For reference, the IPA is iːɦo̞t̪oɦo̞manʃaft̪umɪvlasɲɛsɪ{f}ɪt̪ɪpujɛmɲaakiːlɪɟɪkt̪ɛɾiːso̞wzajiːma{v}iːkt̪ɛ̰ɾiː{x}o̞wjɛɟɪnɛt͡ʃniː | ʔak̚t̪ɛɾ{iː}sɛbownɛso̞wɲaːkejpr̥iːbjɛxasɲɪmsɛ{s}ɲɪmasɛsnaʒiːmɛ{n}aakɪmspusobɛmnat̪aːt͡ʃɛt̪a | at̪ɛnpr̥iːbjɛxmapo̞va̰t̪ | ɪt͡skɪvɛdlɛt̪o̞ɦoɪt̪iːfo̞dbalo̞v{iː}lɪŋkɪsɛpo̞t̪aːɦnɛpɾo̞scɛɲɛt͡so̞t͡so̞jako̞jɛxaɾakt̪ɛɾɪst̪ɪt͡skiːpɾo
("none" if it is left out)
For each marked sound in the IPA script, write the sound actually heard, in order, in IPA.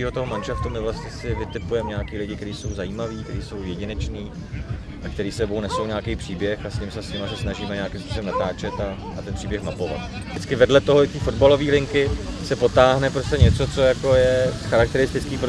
v, v, s, iː, s, ɲ, iː

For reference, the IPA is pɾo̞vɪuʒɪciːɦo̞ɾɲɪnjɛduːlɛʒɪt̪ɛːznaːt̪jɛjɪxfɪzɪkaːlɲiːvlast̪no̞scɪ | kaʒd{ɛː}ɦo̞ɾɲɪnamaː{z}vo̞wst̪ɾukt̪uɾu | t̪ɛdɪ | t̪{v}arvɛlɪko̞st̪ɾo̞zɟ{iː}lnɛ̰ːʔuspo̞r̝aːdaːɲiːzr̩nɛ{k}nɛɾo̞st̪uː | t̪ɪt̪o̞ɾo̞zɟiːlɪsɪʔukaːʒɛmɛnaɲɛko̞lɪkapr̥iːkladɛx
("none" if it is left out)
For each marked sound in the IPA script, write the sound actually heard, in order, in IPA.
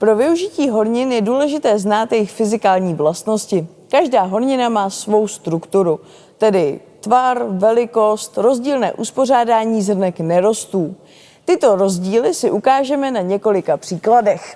aː, s, v, iː, k

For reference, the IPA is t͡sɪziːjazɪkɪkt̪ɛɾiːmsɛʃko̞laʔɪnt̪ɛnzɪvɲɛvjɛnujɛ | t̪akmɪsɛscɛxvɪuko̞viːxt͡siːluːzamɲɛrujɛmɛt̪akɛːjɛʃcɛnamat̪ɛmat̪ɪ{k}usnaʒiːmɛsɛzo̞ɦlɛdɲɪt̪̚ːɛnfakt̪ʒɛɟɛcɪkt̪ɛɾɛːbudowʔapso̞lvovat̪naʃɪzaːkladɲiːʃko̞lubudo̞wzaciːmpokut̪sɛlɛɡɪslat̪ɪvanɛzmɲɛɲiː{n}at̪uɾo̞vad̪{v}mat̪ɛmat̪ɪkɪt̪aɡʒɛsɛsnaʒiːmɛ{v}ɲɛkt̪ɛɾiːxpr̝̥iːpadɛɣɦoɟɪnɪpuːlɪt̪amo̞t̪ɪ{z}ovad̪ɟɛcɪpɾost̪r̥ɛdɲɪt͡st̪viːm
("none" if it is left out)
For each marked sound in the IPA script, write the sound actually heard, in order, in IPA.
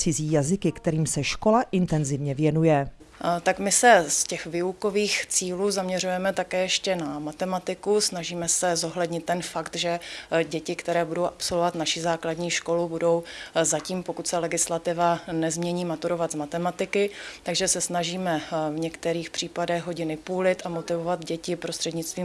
k, m, z, v, v

